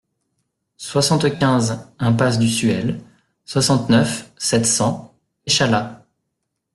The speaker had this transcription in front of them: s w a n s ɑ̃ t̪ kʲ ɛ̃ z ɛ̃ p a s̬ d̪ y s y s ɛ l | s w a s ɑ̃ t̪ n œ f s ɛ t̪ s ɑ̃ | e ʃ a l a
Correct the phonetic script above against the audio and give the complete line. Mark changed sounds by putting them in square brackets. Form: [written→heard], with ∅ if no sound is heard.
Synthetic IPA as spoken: s w a [n→∅] s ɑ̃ t̪ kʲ ɛ̃ z ɛ̃ p a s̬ d̪ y s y [s→∅] ɛ l | s w a s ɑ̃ t̪ n œ f s ɛ t̪ s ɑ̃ | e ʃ a l a